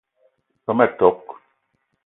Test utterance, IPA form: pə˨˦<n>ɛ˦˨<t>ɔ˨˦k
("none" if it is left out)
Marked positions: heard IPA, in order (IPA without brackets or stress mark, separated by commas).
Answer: m, t